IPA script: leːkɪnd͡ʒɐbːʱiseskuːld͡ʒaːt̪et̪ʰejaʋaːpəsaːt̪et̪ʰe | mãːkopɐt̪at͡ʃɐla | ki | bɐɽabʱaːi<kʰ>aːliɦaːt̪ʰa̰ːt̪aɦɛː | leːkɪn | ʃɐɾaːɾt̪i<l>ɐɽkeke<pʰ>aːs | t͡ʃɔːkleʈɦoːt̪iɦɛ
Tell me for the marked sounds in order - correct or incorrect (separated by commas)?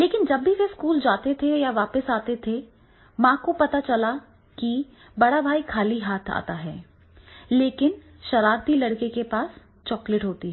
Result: correct, correct, incorrect